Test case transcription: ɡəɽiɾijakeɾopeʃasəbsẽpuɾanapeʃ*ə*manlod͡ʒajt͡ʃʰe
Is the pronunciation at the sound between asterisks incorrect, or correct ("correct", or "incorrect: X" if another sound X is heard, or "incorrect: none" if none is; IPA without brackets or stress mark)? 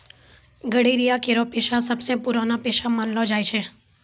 incorrect: a